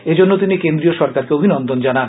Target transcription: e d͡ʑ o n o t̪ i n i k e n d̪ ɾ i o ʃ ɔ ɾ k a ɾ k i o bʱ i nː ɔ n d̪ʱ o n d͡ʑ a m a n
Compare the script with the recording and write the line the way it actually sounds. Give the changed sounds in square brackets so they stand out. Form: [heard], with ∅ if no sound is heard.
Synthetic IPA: e d͡ʑ o [nː] o t̪ i n i k e n d̪ ɾ i o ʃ ɔ ɾ k a ɾ k [e] o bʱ i [n] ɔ n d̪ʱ o n d͡ʑ a [n] a n